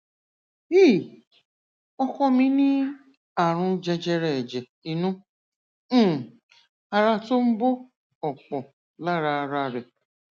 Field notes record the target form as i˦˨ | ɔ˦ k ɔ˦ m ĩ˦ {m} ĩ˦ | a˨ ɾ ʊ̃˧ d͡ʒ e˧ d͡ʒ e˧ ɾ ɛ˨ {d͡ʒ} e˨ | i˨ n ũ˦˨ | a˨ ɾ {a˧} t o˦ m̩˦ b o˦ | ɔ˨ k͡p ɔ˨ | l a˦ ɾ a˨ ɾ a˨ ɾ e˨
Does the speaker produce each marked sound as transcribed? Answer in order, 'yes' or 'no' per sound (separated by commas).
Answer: no, yes, yes